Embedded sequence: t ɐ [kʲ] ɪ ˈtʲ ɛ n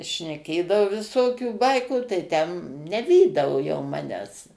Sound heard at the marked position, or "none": none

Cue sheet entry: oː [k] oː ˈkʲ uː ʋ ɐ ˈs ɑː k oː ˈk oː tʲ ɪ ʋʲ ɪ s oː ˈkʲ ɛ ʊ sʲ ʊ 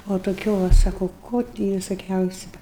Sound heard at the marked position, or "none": t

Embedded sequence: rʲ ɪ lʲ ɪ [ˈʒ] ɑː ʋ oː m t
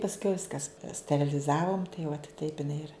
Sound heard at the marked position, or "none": z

